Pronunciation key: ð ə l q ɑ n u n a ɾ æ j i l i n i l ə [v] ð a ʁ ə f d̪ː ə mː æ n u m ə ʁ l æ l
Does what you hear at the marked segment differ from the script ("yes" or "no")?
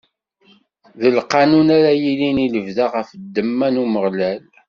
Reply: no